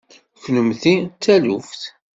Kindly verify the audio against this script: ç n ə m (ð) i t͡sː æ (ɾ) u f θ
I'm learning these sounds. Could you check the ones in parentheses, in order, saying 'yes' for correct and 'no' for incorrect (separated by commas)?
no, no